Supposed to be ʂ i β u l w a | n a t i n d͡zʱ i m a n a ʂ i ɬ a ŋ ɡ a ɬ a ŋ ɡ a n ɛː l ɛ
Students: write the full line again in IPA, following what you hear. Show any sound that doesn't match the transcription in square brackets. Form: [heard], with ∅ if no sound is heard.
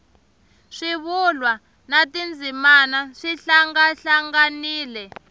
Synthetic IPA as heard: ʂ i β u l w a | n a t i n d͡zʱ i m a n a ʂ i ɬ a ŋ ɡ a ɬ a ŋ ɡ a n [iː] l ɛ